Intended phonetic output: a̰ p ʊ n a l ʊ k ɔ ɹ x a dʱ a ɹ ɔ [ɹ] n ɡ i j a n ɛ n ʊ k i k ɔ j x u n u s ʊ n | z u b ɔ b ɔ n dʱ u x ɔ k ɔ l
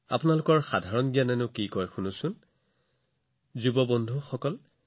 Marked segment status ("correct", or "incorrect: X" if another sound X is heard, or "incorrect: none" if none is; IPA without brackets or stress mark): incorrect: none